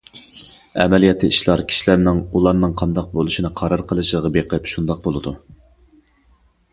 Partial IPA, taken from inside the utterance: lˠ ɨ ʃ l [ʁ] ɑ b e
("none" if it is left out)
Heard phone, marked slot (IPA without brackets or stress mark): ʁ